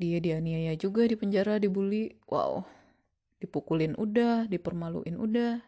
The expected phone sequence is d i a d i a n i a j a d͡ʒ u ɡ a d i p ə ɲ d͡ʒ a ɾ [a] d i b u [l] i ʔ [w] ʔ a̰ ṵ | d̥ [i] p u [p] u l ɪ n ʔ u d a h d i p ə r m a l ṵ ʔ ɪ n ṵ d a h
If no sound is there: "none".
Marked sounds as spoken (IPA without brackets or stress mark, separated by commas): a, l, w, i, k